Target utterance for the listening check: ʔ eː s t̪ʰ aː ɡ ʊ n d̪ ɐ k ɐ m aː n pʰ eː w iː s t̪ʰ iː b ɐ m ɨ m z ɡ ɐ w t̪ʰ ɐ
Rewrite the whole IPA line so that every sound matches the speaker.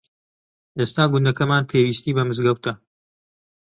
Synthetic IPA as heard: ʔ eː s t̪ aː ɡ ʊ n d̪ ɐ k ɐ m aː n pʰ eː w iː s t̪ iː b ɐ m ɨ z ɡ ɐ w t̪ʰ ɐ